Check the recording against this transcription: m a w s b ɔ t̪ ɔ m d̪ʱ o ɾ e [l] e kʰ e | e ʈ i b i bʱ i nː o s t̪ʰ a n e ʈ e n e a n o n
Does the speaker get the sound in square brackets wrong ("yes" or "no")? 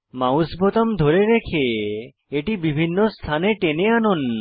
yes